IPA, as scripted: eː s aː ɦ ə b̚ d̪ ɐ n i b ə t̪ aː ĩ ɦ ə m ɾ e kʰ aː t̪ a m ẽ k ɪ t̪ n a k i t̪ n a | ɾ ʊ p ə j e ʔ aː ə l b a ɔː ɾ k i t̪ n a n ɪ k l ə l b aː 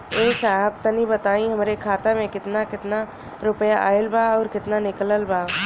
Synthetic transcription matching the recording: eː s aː ɦ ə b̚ t̪ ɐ n i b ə t̪ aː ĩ ɦ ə m ɾ e kʰ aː t̪ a m ẽ k ɪ t̪ n a k ɪ t̪ n a | ɾ ʊ p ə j a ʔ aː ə l b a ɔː ɾ k ɪ t̪ n a n ɪ k l ə l b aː